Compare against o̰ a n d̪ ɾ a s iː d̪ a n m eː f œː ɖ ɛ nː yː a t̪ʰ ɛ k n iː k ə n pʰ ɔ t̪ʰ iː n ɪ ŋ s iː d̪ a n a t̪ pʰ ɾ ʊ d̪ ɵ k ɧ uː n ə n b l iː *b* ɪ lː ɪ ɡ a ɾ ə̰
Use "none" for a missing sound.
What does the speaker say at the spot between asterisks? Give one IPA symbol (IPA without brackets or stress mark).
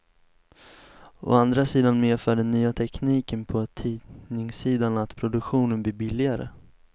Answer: b